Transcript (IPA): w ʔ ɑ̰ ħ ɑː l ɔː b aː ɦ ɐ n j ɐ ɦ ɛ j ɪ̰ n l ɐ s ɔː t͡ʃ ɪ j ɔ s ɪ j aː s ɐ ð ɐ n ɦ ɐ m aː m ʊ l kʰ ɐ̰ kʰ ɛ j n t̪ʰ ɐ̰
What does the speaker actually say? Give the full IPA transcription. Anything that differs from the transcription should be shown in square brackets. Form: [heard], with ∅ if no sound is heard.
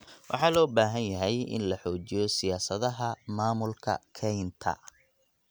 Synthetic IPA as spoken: w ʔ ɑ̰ ħ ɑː l ɔː b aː ɦ ɐ n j ɐ ɦ ɛ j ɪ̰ n l ɐ [ħ] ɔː t͡ʃ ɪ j ɔ s ɪ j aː s ɐ ð ɐ [∅] ɦ ɐ m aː m ʊ l kʰ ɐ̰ kʰ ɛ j n t̪ʰ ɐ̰